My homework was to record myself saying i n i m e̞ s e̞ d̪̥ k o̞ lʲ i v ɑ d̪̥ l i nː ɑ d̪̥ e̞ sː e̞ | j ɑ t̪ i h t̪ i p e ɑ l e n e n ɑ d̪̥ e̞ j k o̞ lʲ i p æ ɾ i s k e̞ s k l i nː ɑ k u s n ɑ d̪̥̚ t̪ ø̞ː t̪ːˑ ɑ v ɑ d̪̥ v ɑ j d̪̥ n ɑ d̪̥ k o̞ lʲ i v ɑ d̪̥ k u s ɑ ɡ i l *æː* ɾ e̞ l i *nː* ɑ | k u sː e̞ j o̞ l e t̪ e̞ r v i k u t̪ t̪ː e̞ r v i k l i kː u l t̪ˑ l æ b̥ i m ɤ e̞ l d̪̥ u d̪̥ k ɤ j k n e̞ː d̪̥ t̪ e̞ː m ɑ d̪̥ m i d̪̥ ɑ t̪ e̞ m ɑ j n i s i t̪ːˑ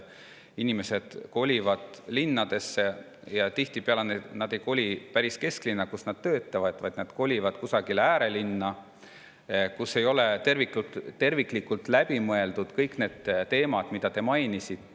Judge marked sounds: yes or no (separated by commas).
yes, yes